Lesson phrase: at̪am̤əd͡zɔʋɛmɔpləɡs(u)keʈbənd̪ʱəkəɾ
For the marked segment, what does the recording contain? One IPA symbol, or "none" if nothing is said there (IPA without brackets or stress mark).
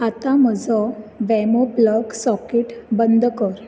ɔ